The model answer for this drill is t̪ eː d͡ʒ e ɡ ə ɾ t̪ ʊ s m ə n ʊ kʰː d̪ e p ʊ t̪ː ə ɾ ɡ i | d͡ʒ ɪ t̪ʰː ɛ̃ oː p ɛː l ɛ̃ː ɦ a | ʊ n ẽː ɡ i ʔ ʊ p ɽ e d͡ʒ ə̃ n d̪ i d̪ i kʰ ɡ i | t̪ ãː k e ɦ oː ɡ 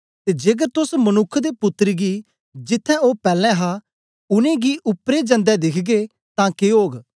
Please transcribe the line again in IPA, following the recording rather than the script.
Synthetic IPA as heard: t̪ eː d͡ʒ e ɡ ə ɾ t̪ ʊ s m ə n ʊ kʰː d̪ e p ʊ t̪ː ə ɾ ɡ i | d͡ʒ ɪ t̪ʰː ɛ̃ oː p ɛː l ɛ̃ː ɦ a | ʊ n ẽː ɡ i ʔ ʊ p ɾ e d͡ʒ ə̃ n d̪ ɛ d̪ ɪ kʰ ɡ e | t̪ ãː k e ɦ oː ɡ